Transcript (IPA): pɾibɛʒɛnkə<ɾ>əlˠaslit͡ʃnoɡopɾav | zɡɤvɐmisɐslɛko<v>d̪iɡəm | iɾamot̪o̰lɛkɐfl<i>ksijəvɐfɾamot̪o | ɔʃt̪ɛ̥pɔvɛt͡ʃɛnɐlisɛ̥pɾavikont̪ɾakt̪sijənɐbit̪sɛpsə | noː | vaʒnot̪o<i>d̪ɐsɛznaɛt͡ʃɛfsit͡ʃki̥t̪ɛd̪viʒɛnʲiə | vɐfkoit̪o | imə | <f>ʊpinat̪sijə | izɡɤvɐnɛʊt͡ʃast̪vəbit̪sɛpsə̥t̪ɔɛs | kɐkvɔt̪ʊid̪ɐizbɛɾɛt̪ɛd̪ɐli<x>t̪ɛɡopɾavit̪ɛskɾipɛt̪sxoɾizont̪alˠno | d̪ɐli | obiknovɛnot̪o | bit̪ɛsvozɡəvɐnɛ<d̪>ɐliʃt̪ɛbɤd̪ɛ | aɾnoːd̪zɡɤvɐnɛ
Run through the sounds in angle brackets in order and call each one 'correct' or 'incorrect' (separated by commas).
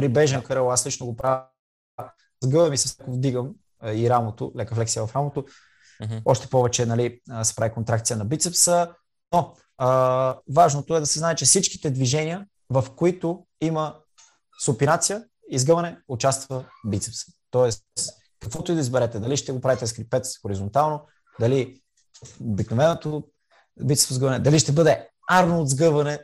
correct, correct, incorrect, incorrect, incorrect, incorrect, correct